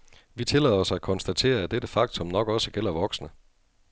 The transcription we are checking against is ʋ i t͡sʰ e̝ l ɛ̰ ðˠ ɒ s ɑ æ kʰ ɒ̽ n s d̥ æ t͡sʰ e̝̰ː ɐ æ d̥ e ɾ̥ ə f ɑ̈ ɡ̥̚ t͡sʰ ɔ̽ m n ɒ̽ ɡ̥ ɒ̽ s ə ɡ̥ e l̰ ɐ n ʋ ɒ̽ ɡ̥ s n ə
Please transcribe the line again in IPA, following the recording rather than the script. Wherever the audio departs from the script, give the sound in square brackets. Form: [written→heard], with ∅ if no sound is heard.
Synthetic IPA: ʋ i t͡sʰ e̝ l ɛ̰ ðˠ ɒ s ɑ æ kʰ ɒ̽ n s d̥ æ t͡sʰ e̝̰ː ɐ æ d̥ e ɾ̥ ə f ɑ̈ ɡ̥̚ t͡sʰ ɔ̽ m n ɒ̽ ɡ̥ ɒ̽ s ə ɡ̥ e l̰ ɐ [n→∅] ʋ ɒ̽ ɡ̥ s n ə